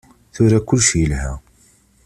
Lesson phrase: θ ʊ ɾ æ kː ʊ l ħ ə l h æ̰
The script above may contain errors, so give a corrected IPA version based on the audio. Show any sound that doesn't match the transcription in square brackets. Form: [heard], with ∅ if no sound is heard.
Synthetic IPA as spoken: θ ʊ ɾ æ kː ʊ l [ʃ] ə l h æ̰